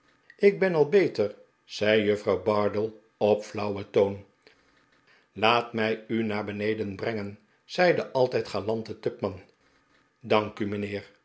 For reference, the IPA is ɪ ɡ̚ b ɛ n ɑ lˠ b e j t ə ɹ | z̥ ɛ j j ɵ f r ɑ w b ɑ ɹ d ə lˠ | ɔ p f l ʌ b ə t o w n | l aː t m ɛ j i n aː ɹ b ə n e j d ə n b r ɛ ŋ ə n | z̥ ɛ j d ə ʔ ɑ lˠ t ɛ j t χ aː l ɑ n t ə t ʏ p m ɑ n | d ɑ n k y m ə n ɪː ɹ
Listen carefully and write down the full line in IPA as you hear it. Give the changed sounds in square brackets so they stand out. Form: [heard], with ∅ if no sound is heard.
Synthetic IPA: ɪ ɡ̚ b ɛ n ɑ lˠ b e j t ə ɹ | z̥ ɛ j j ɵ f r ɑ w b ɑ ɹ d ə lˠ | ɔ p f l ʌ [w] ə t o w n | l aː t m ɛ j [y] n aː ɹ b ə n e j d ə n b r ɛ ŋ ə n | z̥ ɛ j d ə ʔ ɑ lˠ t ɛ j t χ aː l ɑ n t ə t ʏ p m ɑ n | d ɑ [ŋ] k y m ə n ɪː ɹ